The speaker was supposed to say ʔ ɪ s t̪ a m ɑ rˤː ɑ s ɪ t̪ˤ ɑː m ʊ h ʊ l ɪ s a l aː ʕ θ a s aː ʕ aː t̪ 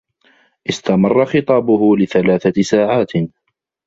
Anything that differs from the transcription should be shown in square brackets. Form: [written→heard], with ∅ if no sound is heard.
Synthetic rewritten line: ʔ ɪ s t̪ a m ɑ rˤː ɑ [s→x] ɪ t̪ˤ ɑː [m→b] ʊ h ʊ l ɪ [s→θ] a l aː [ʕ→∅] θ a s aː ʕ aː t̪